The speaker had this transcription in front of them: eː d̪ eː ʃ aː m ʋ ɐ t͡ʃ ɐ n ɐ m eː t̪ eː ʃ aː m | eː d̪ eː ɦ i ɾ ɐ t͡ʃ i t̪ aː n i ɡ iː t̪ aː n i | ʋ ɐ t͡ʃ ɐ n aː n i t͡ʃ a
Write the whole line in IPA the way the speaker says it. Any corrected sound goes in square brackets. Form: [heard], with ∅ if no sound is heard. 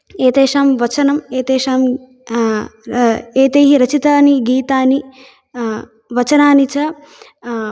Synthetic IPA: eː [t̪] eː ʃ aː m ʋ ɐ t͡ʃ ɐ n ɐ m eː t̪ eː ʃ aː m | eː [t̪] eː ɦ i ɾ ɐ t͡ʃ i t̪ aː n i ɡ iː t̪ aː n i | ʋ ɐ t͡ʃ ɐ n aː n i t͡ʃ [ɐ]